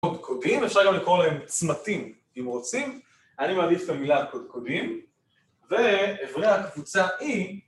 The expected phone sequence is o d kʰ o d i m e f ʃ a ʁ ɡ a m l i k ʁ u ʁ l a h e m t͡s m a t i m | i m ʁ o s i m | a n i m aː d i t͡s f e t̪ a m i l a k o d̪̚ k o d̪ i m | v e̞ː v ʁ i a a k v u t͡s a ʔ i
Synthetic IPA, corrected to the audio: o d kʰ o d i m e f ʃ a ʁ ɡ a m l i k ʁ o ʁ l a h e m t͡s m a t i m | i m ʁ o t͡s i m | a n i m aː d i f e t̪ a m i l a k o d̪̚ k o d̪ i m | v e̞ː v ʁ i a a k v u t͡s a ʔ i